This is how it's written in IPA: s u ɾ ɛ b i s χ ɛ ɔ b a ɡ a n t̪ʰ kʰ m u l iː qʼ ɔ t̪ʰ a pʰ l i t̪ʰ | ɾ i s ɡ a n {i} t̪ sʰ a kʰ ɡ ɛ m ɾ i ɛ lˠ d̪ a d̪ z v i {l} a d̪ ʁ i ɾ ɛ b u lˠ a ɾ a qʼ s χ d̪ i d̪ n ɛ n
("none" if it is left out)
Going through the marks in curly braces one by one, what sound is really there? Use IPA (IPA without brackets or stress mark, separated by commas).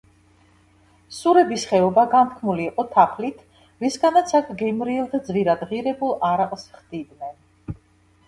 a, ɾ